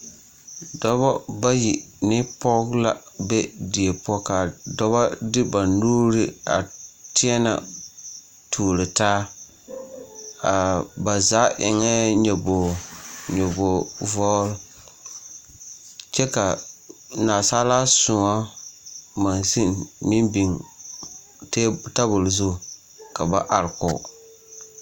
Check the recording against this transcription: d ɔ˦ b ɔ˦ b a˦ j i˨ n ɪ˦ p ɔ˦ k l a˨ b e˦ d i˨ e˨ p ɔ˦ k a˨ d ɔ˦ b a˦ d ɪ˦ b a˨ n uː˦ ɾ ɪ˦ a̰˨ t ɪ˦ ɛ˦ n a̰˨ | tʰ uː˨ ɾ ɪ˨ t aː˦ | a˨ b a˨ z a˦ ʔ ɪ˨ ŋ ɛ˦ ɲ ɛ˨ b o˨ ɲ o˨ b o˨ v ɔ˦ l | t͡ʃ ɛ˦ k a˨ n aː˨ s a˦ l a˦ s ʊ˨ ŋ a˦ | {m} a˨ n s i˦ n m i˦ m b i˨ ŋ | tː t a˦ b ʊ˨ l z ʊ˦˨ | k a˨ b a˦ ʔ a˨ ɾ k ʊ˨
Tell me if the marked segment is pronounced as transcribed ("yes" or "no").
yes